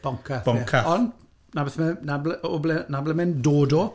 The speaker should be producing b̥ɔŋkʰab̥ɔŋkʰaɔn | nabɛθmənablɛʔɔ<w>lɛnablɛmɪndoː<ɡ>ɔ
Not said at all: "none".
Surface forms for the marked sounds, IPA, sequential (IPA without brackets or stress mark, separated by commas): b, d